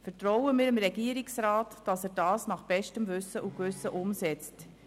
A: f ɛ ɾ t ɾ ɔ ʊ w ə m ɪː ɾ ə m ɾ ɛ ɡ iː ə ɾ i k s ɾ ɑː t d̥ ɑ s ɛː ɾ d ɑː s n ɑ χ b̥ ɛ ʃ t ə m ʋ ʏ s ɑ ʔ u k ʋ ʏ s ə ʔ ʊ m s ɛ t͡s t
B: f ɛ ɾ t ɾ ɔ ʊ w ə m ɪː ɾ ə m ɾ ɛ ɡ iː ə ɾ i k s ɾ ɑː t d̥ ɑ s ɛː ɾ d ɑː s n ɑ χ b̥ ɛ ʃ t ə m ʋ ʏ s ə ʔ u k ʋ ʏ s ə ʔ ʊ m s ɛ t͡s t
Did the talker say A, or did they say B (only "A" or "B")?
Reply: B